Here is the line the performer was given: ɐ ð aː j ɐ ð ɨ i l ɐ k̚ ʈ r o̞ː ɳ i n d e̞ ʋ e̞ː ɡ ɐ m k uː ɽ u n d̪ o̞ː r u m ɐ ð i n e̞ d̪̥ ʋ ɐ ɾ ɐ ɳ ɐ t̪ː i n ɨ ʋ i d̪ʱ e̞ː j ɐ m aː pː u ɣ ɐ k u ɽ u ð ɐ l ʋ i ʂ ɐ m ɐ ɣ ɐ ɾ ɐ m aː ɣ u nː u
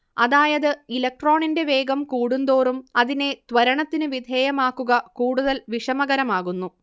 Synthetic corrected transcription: ɐ ð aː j ɐ ð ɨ i l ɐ k̚ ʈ r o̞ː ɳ i n d e̞ ʋ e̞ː ɡ ɐ m k uː ɽ u n d̪ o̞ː r u m ɐ ð i n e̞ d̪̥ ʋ ɐ ɾ ɐ ɳ ɐ t̪ː i n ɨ ʋ i d̪ʱ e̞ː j ɐ m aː kː u ɣ ɐ k uː ɽ u ð ɐ l ʋ i ʂ ɐ m ɐ ɣ ɐ ɾ ɐ m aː ɣ u nː u